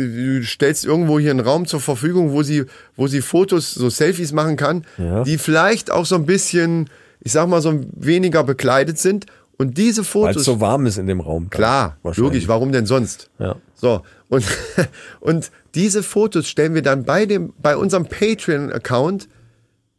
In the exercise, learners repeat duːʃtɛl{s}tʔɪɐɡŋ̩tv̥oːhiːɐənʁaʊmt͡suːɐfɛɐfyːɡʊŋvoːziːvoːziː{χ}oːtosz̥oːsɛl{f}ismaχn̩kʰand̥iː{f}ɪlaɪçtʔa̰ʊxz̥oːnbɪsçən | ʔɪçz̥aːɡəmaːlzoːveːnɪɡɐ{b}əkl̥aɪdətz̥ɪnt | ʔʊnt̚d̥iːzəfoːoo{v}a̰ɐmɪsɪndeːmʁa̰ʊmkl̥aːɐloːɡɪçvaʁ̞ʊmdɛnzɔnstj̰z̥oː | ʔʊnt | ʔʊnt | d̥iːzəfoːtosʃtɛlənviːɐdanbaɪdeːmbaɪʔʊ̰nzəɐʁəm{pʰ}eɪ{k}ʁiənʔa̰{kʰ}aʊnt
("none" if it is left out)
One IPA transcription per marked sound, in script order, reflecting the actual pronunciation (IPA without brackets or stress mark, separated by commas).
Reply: s, f, f, f, b, v, pʰ, t, kʰ